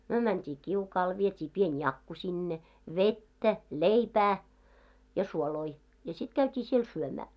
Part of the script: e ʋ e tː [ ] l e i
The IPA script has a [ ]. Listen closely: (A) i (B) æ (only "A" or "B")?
B